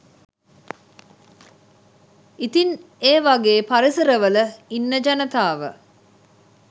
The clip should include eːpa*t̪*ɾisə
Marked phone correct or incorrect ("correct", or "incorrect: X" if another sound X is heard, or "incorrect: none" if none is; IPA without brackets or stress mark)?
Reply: incorrect: none